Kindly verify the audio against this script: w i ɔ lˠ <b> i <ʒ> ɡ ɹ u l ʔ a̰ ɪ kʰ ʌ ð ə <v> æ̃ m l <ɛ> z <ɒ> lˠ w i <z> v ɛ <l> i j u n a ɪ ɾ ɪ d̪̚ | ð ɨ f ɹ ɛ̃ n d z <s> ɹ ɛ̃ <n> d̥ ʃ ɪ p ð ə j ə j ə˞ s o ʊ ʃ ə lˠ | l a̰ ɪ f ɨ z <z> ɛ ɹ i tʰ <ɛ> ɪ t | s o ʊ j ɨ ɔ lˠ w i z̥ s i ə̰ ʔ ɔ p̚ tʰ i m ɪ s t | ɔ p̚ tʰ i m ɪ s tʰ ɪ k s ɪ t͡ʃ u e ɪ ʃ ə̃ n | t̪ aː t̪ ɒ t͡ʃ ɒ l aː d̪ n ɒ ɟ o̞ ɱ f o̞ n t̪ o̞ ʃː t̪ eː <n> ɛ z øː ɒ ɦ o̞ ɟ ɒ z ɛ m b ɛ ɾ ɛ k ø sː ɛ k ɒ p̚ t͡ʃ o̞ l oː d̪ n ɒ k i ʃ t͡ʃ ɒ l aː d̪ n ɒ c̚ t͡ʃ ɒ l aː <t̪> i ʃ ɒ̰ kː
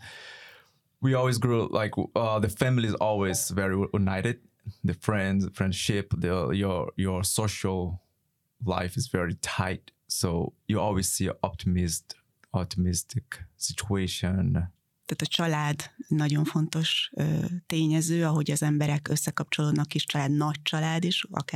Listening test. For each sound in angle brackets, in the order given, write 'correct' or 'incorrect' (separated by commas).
incorrect, incorrect, incorrect, incorrect, incorrect, correct, incorrect, incorrect, correct, incorrect, incorrect, incorrect, incorrect